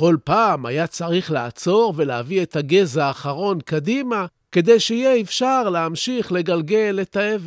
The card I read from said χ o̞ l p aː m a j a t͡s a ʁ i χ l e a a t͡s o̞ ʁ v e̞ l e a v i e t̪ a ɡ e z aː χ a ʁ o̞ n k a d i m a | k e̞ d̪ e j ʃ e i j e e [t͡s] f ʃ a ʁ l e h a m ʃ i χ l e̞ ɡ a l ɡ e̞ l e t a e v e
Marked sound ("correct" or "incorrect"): incorrect